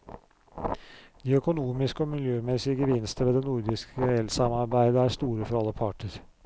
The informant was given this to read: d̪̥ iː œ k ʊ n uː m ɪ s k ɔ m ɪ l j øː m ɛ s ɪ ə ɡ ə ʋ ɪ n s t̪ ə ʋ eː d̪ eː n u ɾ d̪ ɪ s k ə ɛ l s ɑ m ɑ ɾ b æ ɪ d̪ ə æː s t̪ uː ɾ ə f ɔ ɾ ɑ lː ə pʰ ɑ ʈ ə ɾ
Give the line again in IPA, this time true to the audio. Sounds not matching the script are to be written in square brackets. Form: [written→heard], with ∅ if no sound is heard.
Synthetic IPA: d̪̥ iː œ k ʊ n uː m ɪ s k ɔ m ɪ l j øː m ɛ s ɪ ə ɡ ə ʋ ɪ n s t̪ ə ʋ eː d̪ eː n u ɾ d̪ ɪ s k ə ɛ l s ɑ m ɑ ɾ b æ ɪ d̪ ə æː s t̪ uː ɾ ə f ɔ ɾ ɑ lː ə pʰ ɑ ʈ ə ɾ